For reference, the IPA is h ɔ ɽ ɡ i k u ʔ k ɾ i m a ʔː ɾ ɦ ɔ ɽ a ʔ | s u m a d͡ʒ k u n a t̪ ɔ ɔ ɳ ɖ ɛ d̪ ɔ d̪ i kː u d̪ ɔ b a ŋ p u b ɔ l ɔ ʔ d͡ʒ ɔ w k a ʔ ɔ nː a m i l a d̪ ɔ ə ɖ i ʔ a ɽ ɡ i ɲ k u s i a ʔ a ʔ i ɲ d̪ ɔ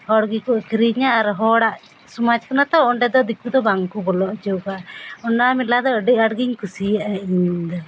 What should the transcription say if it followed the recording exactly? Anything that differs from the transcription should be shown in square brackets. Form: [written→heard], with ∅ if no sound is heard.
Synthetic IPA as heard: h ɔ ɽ ɡ i k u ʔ k ɾ i [m→ɲ] a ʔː ɾ ɦ ɔ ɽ a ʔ | s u m a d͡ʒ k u n a t̪ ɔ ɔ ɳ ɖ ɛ d̪ ɔ d̪ i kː u d̪ ɔ b a ŋ [p→k] u b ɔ l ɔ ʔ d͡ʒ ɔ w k a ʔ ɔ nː a m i l a d̪ ɔ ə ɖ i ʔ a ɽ ɡ i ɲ k u s i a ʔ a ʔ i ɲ d̪ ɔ

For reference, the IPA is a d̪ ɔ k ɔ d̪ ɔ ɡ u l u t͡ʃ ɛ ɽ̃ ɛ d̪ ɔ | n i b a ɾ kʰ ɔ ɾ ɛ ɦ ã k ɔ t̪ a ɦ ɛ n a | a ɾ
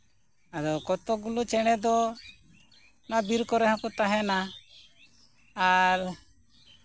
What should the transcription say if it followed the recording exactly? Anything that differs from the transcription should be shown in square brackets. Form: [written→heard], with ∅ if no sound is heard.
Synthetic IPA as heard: a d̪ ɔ k ɔ [d̪→t̪] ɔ ɡ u l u t͡ʃ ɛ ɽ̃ ɛ d̪ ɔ | n [i→a] b [a→i] ɾ [kʰ→k] ɔ ɾ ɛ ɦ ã k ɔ t̪ a ɦ ɛ n a | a ɾ

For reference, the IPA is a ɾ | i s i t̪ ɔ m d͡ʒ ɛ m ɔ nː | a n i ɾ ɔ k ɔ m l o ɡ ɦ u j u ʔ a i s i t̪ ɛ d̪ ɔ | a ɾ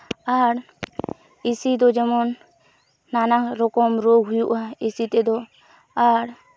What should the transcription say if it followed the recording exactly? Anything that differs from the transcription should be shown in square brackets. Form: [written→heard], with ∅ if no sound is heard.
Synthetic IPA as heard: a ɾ | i s i [t̪→d̪] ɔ [m→∅] d͡ʒ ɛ m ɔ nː | a n [i→a] ɾ ɔ k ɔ m [l→ɾ] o ɡ ɦ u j u ʔ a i s i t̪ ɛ d̪ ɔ | a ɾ

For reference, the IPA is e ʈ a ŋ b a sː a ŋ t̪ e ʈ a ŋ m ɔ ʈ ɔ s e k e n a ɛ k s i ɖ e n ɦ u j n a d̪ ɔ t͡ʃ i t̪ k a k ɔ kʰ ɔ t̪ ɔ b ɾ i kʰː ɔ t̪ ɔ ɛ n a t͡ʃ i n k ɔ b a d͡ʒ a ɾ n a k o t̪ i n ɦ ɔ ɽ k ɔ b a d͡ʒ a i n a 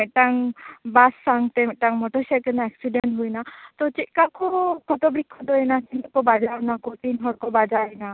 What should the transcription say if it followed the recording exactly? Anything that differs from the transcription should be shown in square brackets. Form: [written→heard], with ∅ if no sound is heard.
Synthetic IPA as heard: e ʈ a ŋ b a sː a ŋ t̪ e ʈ a ŋ m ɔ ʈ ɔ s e k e n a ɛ k s i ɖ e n ɦ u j n a [d̪→t̪] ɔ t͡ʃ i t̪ k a k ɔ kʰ ɔ t̪ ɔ b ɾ i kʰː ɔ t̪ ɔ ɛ n a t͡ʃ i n k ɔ b a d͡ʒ a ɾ n a k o t̪ i n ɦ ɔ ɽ k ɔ b a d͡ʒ a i n a

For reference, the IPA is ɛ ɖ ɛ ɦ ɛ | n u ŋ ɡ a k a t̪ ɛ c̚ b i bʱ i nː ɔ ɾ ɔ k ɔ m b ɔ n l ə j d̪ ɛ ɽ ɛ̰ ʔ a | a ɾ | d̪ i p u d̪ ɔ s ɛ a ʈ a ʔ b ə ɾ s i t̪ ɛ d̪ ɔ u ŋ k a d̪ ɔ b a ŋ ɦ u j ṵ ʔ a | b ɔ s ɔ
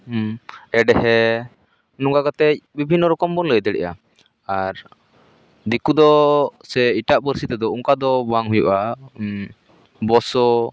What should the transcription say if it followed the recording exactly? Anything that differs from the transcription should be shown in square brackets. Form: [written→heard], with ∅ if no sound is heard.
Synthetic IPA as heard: ɛ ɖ ɛ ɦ ɛ | n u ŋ ɡ a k a t̪ ɛ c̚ b i bʱ i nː ɔ ɾ ɔ k ɔ m b ɔ n l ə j d̪ ɛ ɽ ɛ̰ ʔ a | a ɾ | d̪ i [p→k] u d̪ ɔ s ɛ [a→i] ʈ a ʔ b ə ɾ s i t̪ ɛ d̪ ɔ u ŋ k a d̪ ɔ b a ŋ ɦ u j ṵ ʔ a | b ɔ s ɔ

